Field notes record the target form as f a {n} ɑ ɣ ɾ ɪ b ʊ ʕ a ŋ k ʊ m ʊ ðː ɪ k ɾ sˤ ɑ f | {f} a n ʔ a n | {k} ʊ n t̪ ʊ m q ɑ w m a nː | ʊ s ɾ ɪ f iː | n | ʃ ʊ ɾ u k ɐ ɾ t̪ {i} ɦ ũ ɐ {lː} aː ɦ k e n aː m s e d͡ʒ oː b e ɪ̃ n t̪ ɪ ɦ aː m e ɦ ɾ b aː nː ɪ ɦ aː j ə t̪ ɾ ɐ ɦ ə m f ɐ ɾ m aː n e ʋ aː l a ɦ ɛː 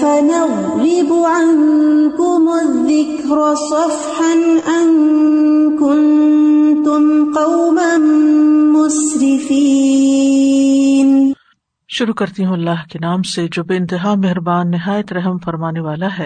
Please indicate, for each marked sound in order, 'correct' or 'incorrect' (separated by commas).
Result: correct, incorrect, correct, correct, correct